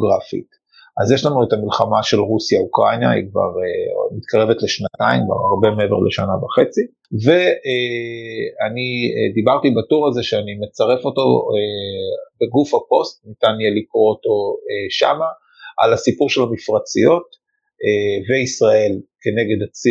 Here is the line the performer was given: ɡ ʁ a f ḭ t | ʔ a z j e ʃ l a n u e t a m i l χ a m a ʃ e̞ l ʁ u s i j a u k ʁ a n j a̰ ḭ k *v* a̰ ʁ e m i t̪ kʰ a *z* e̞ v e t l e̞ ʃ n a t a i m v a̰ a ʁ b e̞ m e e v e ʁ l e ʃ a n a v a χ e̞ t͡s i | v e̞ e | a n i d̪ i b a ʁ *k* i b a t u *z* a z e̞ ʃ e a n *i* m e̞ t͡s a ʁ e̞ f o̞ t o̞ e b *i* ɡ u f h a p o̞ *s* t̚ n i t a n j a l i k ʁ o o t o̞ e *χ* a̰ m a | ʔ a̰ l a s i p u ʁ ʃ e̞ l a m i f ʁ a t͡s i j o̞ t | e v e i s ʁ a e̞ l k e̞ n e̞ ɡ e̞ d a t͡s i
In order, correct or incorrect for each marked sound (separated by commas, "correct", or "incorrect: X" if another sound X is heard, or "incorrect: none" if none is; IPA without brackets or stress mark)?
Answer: correct, incorrect: ʁ, incorrect: t, incorrect: ʁ, correct, incorrect: e, correct, incorrect: ʃ